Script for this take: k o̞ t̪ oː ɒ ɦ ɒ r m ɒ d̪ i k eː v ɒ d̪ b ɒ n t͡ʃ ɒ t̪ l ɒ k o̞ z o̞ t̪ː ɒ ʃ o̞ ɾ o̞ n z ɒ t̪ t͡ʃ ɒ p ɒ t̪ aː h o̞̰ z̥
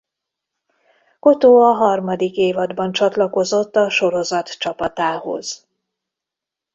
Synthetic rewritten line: k o̞ t̪ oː ɒ ɦ ɒ r m ɒ d̪ i k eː v ɒ d̪ b ɒ n t͡ʃ ɒ t̪ l ɒ k o̞ z o̞ t̪ː ɒ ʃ o̞ ɾ o̞ z ɒ t̪ t͡ʃ ɒ p ɒ t̪ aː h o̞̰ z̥